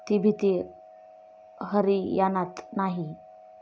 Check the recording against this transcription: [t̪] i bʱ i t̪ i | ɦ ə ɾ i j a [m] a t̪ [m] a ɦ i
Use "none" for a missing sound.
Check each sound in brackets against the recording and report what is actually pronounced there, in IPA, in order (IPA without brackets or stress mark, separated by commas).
t̪, n, n